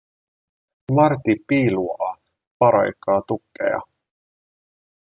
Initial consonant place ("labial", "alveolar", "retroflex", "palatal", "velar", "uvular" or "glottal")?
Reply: labial